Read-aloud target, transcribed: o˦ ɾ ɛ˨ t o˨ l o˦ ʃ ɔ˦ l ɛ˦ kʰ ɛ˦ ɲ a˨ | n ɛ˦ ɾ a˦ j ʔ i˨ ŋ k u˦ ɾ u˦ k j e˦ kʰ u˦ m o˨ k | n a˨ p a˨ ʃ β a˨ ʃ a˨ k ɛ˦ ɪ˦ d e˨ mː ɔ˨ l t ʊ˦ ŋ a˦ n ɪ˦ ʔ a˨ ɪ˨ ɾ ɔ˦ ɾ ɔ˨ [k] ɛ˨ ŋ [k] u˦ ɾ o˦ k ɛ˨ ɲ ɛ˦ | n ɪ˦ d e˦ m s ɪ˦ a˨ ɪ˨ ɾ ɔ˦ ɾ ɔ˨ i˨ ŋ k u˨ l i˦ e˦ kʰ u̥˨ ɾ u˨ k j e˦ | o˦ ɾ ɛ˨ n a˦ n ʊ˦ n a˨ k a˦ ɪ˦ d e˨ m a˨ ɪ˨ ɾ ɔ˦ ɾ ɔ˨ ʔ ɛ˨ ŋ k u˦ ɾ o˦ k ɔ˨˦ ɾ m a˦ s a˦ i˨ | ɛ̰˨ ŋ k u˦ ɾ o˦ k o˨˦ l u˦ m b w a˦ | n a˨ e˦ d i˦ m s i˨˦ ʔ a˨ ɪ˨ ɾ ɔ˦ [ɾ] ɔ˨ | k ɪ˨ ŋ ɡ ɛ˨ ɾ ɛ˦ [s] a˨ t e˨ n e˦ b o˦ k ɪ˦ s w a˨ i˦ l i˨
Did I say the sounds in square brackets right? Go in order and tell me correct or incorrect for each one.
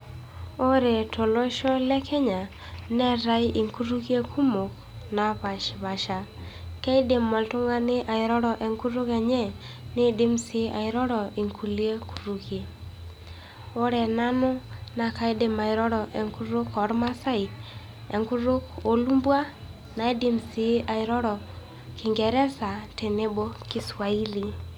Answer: incorrect: ʔ, correct, correct, correct

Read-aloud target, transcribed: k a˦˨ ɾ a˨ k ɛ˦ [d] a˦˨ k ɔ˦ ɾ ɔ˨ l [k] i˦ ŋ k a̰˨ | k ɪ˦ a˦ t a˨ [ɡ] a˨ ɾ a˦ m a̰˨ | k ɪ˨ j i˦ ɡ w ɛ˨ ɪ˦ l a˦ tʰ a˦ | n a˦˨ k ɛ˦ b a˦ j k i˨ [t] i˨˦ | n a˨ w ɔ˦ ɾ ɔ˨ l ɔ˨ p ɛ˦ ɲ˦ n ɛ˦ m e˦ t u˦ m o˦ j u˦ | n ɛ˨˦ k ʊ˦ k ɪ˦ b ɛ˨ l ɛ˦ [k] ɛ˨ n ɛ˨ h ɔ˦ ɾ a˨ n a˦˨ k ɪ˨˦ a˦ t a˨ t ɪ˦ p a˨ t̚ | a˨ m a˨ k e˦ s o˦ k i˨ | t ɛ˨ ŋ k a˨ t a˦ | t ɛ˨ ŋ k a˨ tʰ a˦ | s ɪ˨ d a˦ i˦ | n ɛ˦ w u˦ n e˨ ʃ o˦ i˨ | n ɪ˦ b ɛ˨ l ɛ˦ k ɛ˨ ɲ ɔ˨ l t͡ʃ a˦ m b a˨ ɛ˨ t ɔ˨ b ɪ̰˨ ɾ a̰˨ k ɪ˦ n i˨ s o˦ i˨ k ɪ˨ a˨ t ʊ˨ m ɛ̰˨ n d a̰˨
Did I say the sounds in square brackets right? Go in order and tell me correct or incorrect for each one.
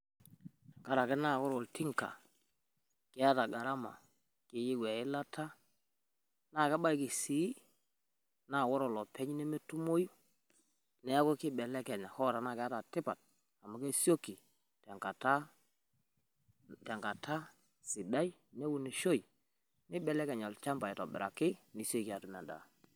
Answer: incorrect: n, incorrect: t, correct, incorrect: s, correct

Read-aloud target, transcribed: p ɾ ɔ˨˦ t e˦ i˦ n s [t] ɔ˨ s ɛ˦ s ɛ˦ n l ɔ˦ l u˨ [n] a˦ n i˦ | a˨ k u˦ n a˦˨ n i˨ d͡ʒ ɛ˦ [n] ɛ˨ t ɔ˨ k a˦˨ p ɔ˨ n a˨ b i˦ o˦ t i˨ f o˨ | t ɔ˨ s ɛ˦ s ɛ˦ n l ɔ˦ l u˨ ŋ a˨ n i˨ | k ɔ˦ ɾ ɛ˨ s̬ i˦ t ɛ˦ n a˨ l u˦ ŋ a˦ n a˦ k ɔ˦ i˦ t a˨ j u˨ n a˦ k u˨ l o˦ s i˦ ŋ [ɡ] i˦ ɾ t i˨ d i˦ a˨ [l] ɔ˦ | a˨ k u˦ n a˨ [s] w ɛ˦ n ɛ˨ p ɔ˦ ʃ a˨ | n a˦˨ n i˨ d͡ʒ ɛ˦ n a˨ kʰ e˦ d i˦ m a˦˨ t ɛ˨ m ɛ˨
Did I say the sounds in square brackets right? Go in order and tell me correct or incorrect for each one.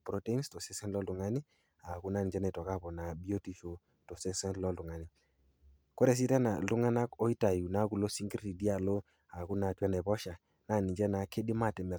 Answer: correct, incorrect: ŋ, correct, correct, correct, incorrect: t

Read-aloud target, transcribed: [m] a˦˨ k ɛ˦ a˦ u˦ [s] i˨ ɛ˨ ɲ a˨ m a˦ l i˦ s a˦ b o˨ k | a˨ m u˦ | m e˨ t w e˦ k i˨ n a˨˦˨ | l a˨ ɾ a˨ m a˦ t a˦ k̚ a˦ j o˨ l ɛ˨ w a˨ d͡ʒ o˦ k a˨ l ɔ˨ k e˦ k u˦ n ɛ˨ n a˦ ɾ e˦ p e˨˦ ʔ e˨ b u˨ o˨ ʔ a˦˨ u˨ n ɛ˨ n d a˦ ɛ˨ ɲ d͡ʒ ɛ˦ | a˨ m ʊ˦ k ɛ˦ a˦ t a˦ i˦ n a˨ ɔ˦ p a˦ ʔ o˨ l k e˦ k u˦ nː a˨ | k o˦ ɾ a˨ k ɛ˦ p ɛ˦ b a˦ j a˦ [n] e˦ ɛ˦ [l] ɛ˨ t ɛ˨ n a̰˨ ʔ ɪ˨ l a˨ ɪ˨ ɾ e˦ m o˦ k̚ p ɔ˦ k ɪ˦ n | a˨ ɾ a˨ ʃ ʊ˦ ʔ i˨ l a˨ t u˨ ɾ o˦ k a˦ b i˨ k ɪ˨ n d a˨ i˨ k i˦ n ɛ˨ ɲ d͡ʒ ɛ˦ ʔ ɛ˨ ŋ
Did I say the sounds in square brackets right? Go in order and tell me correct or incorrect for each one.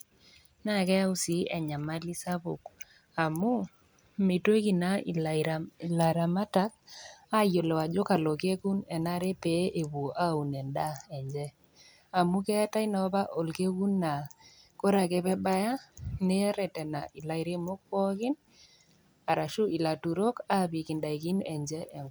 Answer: incorrect: n, correct, correct, incorrect: ɾ

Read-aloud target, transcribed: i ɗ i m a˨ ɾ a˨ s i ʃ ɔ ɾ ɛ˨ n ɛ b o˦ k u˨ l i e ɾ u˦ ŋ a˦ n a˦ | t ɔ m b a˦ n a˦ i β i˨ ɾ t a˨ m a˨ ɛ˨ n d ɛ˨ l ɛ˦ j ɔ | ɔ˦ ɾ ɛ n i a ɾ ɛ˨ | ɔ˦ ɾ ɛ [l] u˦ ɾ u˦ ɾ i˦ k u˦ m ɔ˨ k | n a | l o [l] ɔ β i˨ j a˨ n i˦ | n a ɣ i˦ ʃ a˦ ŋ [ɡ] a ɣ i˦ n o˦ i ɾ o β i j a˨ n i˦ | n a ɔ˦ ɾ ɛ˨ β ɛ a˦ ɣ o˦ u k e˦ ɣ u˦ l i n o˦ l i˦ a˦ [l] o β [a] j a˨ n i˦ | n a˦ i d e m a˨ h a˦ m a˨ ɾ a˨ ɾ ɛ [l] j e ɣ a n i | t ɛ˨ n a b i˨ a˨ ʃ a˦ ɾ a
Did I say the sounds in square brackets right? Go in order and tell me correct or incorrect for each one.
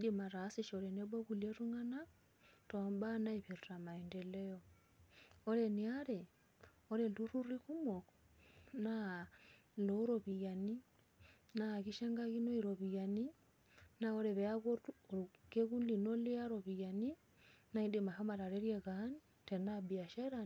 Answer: correct, incorrect: ɾ, correct, incorrect: ɾ, incorrect: i, incorrect: ɾ

